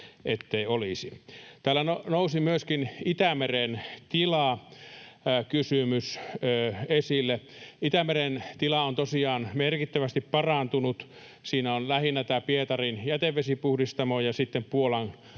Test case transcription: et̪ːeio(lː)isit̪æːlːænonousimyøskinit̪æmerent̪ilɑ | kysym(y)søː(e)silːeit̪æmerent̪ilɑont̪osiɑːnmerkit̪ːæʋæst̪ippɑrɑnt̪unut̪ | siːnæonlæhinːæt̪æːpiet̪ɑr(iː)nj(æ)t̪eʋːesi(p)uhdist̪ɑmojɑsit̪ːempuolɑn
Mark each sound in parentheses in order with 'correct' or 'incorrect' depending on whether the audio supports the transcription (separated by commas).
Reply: incorrect, correct, correct, incorrect, correct, correct